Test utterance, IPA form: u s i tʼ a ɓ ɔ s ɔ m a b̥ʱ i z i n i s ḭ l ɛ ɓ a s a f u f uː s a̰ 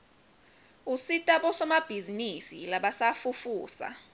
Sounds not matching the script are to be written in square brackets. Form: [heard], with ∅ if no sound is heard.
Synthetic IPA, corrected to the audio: u s i tʼ a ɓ ɔ s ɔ m a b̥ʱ i z i n i s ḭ l [a] ɓ a s a f u f uː s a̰